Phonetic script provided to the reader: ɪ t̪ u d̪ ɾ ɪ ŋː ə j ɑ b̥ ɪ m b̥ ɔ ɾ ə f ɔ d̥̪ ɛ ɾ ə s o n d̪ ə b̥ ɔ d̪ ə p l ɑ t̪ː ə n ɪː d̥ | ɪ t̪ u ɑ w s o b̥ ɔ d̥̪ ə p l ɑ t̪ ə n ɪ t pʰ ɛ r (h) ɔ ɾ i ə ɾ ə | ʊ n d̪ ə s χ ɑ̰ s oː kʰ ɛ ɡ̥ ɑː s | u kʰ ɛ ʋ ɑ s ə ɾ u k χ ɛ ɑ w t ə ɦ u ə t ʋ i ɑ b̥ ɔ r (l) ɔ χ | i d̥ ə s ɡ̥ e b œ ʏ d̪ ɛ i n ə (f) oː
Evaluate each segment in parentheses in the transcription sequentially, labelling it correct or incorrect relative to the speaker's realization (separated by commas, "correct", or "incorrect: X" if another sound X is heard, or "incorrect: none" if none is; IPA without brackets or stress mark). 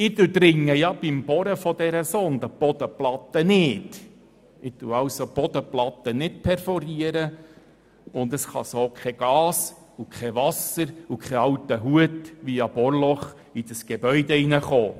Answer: incorrect: f, correct, incorrect: χ